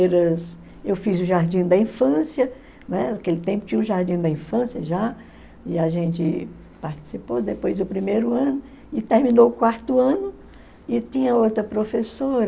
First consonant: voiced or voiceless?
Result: voiced